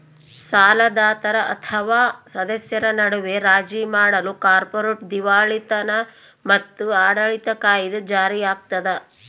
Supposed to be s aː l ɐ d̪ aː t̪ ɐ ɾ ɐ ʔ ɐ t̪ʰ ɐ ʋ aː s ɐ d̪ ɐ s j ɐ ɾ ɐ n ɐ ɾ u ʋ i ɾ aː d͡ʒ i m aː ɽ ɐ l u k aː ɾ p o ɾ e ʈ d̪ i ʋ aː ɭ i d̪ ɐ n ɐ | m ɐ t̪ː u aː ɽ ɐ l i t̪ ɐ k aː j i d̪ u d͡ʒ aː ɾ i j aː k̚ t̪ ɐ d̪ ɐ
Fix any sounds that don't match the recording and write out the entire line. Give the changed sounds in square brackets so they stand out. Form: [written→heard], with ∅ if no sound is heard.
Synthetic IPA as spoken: s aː l ɐ d̪ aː t̪ ɐ ɾ ɐ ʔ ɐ t̪ʰ ɐ ʋ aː s ɐ d̪ ɐ s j ɐ ɾ ɐ n ɐ [ɾ→ɽ] u ʋ [i→e] ɾ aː d͡ʒ i m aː ɽ ɐ l u k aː ɾ p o ɾ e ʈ d̪ i ʋ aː ɭ i [d̪→t̪] ɐ n ɐ | m ɐ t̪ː u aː ɽ ɐ [l→ɭ] i t̪ ɐ k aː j i d̪ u d͡ʒ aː ɾ i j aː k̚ t̪ ɐ d̪ ɐ